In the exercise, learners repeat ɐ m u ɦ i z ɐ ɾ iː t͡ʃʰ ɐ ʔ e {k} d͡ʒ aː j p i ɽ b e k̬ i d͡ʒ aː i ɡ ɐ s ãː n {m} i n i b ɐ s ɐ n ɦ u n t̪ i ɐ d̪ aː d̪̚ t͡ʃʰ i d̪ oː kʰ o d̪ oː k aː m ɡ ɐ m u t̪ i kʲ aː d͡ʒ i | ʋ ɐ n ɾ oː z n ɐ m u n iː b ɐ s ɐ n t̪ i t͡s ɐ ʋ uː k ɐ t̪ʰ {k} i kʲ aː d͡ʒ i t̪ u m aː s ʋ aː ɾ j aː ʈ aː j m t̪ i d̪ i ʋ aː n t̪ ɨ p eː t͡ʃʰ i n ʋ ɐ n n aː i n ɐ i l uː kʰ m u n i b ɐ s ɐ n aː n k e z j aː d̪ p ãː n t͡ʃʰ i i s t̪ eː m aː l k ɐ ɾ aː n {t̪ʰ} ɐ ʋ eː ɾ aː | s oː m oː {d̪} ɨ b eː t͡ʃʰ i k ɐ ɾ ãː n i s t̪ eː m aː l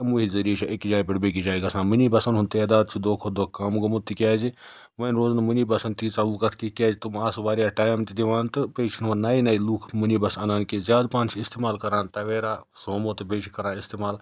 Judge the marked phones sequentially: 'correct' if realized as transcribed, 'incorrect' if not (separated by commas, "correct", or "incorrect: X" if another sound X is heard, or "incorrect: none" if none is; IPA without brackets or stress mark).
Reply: correct, correct, correct, incorrect: t̪, incorrect: t̪